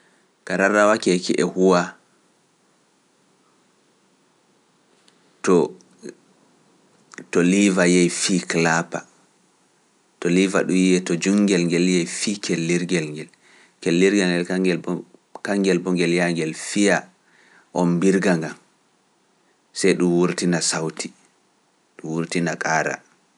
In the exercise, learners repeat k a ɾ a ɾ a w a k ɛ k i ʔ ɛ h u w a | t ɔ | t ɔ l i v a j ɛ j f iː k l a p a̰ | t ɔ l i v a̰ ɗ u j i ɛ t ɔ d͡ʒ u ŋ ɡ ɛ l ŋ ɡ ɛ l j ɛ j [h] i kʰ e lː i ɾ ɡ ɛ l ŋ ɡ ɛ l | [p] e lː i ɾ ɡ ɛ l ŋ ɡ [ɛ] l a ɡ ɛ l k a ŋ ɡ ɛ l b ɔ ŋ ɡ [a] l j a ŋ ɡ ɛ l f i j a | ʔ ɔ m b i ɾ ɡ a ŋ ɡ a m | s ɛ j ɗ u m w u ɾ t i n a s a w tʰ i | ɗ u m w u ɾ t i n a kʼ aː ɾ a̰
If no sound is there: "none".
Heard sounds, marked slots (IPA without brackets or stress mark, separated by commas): f, k, ɛ, ɛ